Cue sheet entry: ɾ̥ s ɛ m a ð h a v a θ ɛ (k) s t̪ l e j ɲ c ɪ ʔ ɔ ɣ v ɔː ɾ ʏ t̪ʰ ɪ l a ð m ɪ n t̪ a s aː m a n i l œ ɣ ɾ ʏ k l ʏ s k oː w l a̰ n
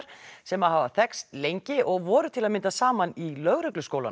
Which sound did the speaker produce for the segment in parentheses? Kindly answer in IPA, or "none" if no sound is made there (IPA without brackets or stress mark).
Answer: k